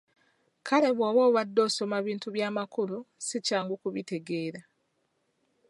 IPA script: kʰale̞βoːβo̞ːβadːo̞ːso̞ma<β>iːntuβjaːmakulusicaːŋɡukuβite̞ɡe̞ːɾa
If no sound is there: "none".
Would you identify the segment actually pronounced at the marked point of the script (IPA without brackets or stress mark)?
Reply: β